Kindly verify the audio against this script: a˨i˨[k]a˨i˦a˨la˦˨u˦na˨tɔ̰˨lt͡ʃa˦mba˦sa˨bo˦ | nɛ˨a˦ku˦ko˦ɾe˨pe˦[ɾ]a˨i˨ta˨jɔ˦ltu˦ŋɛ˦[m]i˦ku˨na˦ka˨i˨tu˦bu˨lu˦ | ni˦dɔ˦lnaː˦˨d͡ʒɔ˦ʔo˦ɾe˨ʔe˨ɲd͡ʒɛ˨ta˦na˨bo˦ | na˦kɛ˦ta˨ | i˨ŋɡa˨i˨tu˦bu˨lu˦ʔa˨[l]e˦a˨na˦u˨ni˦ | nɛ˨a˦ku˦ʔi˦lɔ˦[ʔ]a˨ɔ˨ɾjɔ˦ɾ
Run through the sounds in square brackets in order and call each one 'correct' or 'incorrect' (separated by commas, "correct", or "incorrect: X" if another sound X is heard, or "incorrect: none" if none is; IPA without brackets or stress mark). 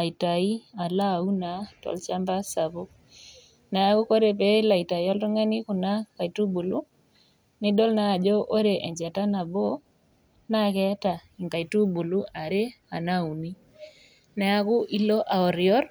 incorrect: t, incorrect: l, incorrect: n, incorrect: ɾ, correct